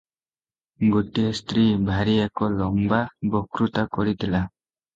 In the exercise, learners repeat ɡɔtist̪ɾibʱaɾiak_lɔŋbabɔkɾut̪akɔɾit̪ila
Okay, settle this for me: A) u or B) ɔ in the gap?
B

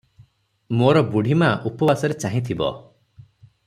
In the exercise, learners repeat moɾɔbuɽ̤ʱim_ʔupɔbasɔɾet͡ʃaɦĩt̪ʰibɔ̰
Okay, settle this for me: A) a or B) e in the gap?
A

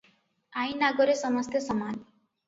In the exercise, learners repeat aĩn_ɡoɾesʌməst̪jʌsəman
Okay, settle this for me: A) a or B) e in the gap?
A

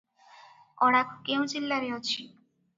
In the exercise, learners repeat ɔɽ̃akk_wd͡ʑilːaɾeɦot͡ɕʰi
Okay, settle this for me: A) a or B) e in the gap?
B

